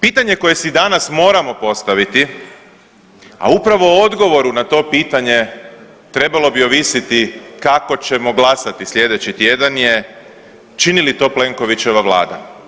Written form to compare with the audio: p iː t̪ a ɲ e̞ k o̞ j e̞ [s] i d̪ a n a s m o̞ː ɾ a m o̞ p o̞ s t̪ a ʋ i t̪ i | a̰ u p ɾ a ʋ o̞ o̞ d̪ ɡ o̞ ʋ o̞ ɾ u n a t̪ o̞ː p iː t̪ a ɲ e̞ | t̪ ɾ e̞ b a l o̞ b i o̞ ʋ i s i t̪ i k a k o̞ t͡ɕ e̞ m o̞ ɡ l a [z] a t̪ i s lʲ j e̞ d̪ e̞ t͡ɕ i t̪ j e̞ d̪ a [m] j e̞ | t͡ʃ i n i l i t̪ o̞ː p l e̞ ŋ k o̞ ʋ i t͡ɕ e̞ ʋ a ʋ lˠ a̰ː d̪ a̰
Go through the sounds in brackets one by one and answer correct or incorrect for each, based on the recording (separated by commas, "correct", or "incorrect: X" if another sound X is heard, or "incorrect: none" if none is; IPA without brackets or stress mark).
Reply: correct, incorrect: s, incorrect: n